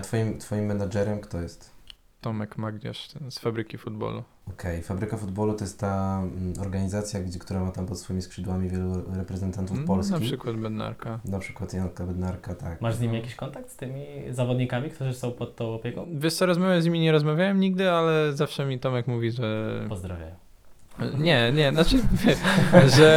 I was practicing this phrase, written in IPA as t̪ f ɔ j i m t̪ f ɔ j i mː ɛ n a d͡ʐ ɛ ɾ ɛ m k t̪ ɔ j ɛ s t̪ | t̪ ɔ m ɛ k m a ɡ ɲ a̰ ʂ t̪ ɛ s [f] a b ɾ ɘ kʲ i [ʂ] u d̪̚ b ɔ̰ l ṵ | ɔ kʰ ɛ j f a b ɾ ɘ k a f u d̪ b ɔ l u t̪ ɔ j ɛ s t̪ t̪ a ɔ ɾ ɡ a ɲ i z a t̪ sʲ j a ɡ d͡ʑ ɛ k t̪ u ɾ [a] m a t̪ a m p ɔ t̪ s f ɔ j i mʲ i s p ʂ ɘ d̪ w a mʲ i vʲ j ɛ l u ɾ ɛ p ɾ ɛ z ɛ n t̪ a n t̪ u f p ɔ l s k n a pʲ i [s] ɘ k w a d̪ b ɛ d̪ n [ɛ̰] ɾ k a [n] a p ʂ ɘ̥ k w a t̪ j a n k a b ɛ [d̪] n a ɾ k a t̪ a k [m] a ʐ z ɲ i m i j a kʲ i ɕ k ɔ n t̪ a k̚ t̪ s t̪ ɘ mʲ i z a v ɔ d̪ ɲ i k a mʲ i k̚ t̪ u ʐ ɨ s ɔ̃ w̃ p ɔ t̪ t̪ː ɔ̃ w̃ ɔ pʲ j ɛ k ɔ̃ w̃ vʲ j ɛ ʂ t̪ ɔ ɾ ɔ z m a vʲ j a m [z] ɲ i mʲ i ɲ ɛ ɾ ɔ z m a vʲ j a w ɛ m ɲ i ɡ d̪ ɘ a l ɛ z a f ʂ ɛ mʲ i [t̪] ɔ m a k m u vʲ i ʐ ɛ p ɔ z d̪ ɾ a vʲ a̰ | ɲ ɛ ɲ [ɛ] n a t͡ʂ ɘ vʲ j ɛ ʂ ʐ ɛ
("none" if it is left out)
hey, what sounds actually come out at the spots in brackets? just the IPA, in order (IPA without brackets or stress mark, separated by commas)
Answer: f, f, a, ʂ, a̰, n, d̪, m, z, t̪, ɛ